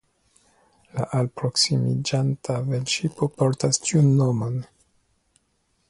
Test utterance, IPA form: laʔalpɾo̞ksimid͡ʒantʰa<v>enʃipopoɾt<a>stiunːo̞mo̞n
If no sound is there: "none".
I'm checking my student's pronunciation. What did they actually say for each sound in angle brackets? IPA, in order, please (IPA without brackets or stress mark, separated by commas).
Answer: v, a